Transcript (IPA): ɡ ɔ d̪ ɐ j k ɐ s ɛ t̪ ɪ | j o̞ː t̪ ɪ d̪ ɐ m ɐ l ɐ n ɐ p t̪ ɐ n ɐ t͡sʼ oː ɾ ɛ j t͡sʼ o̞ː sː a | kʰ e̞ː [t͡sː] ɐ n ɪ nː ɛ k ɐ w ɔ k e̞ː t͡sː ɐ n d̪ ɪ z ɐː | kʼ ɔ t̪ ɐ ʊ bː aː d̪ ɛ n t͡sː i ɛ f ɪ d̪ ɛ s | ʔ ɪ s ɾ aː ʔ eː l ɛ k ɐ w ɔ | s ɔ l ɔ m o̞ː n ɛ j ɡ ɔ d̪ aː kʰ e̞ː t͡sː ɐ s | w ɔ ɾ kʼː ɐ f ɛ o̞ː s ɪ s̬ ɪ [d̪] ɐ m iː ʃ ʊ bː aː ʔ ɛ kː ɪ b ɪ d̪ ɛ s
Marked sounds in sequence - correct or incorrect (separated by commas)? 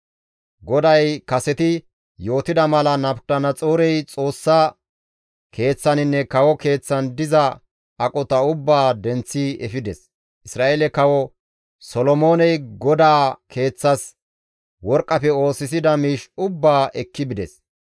correct, correct